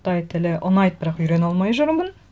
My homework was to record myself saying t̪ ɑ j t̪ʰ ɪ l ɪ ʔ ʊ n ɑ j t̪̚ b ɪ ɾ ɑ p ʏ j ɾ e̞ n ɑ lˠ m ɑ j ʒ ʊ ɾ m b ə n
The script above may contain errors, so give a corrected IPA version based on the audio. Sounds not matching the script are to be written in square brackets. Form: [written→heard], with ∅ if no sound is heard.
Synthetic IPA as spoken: t̪ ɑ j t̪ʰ ɪ l ɪ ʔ ʊ n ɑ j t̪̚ b ɪ ɾ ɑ [p→q] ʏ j ɾ e̞ n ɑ lˠ m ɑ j ʒ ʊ ɾ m b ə n